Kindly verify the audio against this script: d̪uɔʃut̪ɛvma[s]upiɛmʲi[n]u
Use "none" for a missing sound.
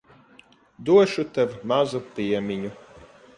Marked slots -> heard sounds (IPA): z, ɲ

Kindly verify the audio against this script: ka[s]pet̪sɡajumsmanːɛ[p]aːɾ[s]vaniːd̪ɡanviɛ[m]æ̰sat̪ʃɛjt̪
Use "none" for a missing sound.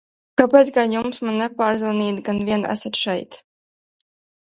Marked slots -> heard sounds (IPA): none, p, z, n

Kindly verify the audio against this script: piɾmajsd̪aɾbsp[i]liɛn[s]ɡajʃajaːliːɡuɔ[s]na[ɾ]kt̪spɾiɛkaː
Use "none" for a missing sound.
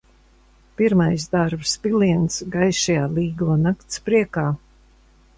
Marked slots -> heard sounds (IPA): i, s, none, none

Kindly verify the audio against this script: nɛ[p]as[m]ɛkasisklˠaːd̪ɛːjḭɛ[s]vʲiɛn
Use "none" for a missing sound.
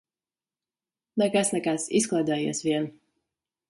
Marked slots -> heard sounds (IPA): k, n, s

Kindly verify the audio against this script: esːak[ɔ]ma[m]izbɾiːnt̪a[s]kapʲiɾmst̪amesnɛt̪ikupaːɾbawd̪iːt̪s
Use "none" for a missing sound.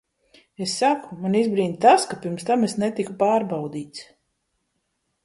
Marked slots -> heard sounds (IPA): u, n, s

